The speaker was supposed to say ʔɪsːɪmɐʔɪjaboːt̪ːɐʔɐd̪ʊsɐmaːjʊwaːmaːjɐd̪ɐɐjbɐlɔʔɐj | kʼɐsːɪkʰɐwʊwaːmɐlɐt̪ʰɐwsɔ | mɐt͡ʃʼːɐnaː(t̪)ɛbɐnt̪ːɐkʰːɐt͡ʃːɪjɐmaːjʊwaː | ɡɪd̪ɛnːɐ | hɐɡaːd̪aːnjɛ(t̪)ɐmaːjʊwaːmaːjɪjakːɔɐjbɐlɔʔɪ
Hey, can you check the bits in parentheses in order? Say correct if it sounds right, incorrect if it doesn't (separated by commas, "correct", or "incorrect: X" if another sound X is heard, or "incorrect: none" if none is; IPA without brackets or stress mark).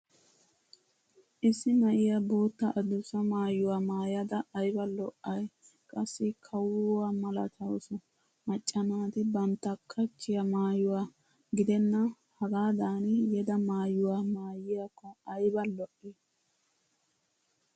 correct, incorrect: d̪